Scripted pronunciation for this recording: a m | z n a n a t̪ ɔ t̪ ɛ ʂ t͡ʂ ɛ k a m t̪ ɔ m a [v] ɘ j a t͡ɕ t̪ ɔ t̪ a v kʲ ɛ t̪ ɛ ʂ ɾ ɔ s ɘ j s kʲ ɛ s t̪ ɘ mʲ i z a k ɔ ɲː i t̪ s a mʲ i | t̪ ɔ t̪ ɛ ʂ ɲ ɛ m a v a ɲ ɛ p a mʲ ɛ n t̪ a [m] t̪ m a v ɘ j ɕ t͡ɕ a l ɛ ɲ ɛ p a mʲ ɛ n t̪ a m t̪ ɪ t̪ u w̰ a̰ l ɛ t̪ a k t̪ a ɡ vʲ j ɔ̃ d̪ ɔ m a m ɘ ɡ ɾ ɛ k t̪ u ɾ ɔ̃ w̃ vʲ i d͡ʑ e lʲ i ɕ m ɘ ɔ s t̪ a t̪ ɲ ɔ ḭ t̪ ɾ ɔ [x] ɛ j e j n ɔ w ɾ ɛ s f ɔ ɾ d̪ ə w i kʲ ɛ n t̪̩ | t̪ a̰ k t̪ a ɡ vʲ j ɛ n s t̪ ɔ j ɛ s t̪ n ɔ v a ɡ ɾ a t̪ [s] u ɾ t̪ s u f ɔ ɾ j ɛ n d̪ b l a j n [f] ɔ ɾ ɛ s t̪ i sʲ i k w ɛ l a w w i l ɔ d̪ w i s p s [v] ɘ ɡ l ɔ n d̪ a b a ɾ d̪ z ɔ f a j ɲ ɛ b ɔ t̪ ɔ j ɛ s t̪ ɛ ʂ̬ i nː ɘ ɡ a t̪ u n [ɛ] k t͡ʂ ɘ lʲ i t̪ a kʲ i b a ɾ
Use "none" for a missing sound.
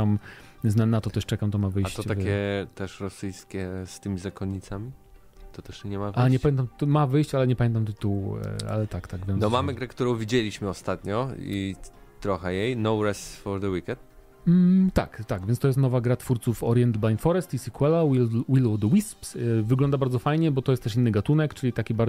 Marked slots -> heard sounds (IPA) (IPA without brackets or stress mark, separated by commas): v, m, x, f, f, v, ɛ